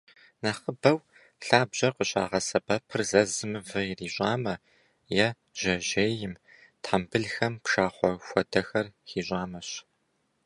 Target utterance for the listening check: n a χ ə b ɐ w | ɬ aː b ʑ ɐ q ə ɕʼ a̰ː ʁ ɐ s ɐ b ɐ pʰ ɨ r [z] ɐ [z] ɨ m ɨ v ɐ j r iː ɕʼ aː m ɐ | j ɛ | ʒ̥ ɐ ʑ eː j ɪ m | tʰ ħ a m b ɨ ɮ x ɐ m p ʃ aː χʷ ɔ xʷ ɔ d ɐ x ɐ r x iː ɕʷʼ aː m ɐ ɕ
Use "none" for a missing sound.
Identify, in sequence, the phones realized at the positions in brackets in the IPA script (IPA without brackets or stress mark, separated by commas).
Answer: z, z